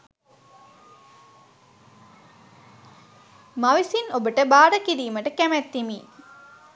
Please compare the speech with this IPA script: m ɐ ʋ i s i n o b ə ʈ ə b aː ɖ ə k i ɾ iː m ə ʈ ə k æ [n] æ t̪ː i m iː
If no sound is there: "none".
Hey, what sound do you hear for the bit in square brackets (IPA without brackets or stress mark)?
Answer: m